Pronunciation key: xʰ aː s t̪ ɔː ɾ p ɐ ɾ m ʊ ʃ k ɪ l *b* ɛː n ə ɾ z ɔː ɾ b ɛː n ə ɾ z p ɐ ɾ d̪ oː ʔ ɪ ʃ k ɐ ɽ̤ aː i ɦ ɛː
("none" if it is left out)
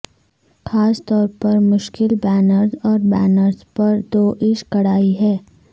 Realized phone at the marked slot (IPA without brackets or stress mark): b